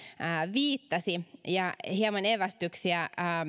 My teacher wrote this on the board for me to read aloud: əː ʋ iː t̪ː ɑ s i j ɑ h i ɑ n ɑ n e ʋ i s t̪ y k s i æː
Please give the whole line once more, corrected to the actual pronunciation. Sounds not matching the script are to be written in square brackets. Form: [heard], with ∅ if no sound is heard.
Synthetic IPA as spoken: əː ʋ iː t̪ː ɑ s i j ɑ h i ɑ [m] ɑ n e ʋ [æ] s t̪ y k s i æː